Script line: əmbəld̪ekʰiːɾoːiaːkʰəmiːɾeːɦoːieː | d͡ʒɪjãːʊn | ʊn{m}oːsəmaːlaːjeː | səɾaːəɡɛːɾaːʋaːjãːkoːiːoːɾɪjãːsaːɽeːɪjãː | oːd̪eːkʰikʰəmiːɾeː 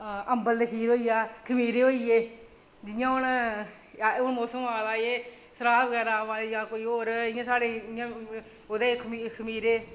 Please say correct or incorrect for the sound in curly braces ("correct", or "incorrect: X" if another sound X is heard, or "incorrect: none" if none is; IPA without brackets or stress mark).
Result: correct